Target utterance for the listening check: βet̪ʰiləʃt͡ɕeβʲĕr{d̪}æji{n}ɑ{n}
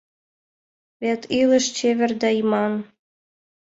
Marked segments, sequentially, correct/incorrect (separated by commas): correct, incorrect, correct